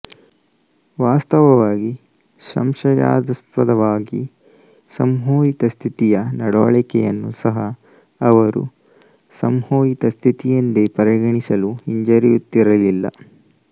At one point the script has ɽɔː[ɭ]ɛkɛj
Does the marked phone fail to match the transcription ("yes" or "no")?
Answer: no